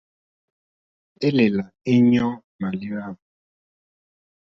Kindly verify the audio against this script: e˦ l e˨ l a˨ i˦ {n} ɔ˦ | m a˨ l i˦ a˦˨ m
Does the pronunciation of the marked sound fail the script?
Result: yes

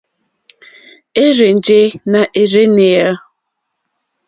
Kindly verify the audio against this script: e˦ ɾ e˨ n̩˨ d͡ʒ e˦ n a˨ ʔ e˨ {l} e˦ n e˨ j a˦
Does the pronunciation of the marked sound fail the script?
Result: yes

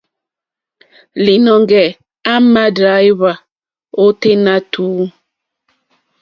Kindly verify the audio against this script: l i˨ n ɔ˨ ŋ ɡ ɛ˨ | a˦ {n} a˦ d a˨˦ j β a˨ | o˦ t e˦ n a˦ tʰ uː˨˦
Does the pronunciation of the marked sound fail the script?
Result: yes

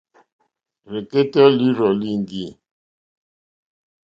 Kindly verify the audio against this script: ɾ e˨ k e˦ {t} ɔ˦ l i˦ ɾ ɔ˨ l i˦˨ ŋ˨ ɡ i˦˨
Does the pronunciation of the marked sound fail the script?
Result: no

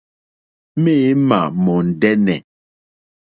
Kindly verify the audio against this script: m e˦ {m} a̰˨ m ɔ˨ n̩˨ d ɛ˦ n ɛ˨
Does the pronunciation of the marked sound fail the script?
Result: no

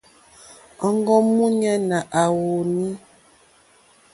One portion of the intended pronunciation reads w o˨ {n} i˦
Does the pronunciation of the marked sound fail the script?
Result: no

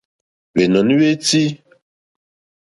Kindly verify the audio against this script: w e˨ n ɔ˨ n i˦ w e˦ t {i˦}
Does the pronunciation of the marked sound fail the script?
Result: no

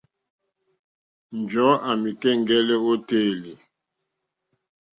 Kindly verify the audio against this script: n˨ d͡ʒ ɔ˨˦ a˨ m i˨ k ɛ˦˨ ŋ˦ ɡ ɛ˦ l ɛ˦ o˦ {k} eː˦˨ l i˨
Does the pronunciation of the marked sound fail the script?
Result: yes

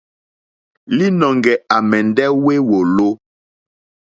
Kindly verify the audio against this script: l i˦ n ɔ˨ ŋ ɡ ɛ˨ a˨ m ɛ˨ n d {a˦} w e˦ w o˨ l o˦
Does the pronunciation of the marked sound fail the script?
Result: yes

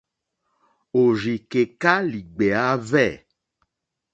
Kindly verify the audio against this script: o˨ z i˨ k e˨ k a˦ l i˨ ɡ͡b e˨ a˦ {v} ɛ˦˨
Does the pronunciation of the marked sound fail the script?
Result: no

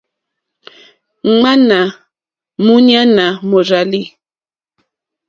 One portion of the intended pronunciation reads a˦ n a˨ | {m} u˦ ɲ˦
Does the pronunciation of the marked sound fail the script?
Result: no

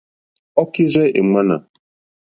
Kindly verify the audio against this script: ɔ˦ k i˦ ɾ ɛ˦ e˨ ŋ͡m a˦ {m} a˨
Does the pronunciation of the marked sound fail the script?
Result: yes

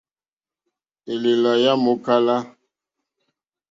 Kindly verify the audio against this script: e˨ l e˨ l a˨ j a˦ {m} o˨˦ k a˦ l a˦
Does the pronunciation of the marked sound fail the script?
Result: no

